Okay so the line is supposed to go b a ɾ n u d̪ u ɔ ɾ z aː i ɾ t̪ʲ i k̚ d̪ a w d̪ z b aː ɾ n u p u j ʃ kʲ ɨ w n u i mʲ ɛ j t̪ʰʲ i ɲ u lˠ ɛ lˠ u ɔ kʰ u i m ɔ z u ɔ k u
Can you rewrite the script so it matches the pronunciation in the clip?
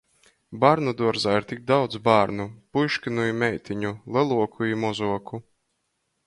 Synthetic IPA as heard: b a ɾ n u d̪ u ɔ ɾ z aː i ɾ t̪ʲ i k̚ d̪ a w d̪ z b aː ɾ n u p u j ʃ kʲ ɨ n u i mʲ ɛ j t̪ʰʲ i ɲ u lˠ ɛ lˠ u ɔ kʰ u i m ɔ z u ɔ k u